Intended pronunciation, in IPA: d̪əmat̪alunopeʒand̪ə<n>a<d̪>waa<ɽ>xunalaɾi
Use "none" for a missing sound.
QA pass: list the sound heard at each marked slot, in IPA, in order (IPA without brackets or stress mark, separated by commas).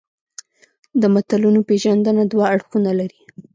n, d̪, ɽ